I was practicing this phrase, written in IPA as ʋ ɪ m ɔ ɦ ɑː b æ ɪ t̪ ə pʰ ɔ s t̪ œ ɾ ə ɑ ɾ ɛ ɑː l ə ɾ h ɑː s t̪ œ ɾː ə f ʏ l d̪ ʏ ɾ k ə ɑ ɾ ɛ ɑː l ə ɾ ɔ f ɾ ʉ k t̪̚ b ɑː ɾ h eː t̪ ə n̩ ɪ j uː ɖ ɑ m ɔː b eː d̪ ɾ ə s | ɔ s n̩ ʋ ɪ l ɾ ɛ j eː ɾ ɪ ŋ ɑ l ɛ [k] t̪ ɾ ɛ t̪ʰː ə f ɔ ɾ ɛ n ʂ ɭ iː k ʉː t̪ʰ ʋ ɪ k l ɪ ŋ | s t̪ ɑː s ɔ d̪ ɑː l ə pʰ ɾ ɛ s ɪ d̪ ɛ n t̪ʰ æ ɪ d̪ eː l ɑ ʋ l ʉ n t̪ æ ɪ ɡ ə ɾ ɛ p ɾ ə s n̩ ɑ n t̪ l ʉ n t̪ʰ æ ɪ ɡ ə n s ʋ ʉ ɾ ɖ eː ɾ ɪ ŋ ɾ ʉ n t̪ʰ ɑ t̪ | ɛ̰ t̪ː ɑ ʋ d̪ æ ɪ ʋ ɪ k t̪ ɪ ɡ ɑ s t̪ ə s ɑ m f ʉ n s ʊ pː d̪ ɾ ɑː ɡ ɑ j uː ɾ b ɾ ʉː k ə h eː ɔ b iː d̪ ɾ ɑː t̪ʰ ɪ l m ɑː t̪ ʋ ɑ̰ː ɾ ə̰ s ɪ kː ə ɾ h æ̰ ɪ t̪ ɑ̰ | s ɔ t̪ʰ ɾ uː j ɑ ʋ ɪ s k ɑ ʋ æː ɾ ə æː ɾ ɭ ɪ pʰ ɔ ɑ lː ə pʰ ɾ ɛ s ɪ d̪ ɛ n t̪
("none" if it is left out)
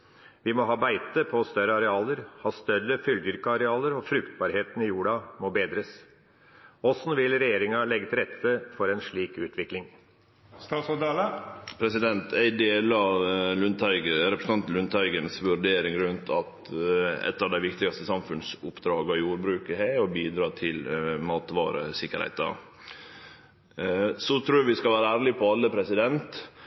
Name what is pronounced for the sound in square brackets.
ɡ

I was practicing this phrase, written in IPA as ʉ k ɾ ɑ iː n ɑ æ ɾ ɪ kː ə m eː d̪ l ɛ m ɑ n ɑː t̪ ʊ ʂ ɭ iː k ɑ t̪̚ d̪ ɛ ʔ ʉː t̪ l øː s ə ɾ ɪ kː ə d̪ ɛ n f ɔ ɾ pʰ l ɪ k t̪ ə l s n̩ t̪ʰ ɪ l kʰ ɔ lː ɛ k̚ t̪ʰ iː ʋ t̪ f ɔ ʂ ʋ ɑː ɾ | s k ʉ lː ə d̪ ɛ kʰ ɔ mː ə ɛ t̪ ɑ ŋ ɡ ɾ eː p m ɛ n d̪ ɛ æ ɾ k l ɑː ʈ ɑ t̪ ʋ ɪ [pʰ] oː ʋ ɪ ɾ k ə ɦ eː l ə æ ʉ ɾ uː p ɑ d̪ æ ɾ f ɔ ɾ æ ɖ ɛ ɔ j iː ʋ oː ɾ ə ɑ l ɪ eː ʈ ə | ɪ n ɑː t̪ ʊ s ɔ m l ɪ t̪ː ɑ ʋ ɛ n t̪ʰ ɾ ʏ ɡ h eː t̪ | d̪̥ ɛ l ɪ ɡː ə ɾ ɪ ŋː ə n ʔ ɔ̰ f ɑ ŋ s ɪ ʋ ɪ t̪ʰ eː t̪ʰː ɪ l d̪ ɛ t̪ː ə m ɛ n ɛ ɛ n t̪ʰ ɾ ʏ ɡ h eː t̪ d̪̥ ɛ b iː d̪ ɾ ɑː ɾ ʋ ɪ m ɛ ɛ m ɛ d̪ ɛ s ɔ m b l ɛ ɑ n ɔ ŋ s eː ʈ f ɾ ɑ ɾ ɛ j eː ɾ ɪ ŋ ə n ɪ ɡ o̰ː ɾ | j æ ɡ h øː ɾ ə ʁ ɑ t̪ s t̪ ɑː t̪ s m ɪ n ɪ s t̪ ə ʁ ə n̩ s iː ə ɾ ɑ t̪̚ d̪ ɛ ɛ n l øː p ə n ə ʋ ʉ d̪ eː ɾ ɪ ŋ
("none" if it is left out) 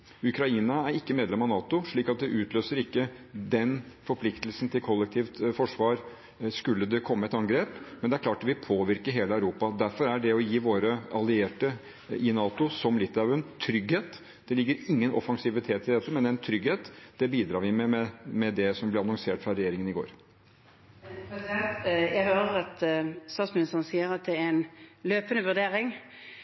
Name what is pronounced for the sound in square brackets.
pʰ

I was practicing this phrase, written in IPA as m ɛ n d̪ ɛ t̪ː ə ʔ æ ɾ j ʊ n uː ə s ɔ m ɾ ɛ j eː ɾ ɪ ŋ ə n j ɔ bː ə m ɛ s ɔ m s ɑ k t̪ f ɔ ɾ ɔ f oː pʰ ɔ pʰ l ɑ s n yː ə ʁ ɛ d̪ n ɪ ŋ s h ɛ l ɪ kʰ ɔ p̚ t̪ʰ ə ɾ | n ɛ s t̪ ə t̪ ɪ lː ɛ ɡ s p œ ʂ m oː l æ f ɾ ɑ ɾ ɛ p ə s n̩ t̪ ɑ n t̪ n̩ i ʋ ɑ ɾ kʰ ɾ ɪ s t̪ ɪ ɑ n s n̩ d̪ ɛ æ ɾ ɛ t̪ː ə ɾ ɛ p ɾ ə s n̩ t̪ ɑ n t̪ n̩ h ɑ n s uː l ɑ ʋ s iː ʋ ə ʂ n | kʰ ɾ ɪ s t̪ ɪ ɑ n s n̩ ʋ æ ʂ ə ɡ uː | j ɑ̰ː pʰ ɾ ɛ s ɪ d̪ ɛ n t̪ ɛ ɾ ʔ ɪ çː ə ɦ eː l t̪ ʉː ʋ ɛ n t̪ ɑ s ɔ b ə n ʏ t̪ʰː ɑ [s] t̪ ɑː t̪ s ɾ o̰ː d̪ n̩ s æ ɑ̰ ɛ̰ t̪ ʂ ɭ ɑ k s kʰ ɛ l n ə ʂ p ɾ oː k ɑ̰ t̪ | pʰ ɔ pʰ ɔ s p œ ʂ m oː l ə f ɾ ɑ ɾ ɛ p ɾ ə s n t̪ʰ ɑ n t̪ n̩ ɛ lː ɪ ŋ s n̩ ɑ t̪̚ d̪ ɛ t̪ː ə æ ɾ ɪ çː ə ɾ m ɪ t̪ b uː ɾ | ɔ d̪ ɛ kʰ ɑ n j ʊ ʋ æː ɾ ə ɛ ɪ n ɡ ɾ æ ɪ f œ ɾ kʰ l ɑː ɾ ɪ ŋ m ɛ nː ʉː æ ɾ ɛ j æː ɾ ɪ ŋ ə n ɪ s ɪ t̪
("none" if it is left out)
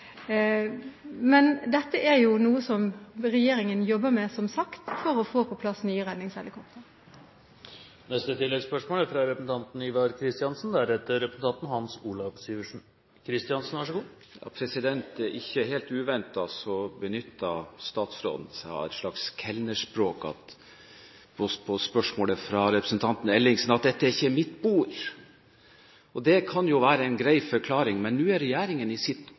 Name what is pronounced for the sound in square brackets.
s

